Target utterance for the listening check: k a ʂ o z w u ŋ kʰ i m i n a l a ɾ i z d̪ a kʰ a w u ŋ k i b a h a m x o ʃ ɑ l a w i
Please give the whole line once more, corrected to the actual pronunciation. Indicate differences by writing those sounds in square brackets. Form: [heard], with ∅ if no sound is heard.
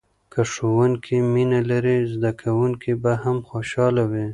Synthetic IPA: k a ʂ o [∅] w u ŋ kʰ i m i n a l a ɾ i z d̪ a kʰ a w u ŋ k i b a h a m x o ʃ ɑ l a w i

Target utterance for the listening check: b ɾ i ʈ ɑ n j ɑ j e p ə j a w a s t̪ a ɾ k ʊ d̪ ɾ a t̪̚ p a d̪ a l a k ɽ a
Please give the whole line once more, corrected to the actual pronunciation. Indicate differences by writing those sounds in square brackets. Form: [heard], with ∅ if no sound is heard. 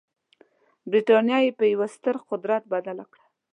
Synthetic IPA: b ɾ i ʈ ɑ n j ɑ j e p ə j a w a s t̪ [ə] ɾ [q] ʊ d̪ ɾ a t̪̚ [b] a d̪ a l a k ɽ a

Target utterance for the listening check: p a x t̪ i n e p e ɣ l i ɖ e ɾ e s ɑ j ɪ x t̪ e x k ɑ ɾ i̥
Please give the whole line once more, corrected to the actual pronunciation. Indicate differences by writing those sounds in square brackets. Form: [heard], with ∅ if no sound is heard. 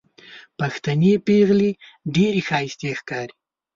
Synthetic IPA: p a x t̪ [a] n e p e ɣ l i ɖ e ɾ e [x] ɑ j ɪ [s] t̪ e x k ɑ ɾ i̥

